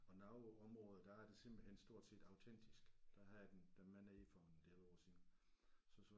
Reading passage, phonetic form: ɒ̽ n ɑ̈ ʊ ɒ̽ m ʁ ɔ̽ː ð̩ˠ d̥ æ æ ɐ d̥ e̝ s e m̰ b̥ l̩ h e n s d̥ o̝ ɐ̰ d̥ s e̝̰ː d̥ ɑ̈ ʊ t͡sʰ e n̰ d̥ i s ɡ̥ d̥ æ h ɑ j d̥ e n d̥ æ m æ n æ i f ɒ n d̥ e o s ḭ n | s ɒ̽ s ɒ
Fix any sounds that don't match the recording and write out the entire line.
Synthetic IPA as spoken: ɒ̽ n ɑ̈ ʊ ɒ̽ m ʁ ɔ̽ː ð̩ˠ d̥ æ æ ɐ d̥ e̝ s e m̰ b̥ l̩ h e n s d̥ o̝ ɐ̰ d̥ s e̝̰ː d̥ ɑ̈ ʊ t͡sʰ e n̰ d̥ i s ɡ̥ d̥ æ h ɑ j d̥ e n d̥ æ m æ n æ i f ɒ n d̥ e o s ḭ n | s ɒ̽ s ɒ